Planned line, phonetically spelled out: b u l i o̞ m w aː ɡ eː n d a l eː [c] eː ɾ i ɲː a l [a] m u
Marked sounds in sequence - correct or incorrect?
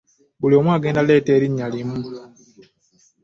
incorrect, incorrect

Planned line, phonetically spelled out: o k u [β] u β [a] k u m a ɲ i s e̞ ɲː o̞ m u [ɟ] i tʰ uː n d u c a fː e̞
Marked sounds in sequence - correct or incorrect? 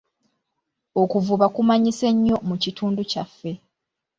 incorrect, correct, incorrect

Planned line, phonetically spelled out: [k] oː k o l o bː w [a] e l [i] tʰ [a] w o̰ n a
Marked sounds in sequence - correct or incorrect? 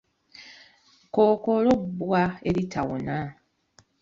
correct, correct, correct, correct

